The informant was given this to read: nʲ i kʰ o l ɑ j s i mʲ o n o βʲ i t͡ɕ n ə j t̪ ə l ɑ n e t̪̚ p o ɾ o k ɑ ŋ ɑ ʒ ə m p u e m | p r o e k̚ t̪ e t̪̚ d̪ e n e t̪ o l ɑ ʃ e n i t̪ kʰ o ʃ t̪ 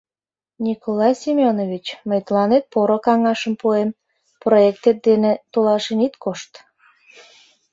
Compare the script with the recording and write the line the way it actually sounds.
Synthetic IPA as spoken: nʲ i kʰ o l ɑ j s i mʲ o n o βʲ i t͡ɕ m ə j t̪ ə l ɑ n e t̪̚ p o ɾ o k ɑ ŋ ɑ ʃ ə m p u e m | p r o e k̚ t̪ e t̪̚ d̪ e n e t̪ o l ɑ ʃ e n i t̪ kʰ o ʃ t̪